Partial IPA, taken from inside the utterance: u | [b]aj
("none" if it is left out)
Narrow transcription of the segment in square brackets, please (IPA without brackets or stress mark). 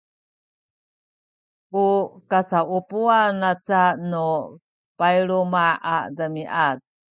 p